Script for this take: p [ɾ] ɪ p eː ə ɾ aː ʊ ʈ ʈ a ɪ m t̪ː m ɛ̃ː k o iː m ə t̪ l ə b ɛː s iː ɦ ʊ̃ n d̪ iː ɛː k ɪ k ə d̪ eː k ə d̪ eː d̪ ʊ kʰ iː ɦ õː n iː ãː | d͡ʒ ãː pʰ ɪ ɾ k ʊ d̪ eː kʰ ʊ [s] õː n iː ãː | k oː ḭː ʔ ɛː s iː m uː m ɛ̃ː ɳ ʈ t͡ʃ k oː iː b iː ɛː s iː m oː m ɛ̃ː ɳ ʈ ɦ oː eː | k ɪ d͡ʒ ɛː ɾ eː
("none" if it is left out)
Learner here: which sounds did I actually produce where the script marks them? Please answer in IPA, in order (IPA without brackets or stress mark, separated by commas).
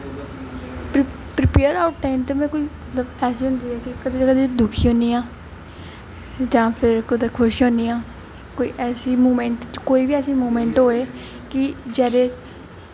ɾ, ʃ